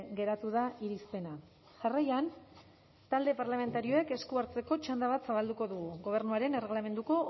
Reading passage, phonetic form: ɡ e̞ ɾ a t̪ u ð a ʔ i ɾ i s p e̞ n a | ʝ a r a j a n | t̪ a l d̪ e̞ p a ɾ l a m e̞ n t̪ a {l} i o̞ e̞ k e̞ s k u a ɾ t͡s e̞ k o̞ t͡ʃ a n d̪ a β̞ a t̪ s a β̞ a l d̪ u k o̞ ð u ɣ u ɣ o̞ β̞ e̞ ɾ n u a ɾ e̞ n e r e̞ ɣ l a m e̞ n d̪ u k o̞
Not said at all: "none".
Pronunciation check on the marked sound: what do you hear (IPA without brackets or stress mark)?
ɾ